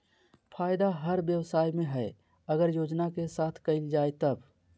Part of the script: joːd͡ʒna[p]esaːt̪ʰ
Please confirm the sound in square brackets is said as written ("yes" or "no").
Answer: no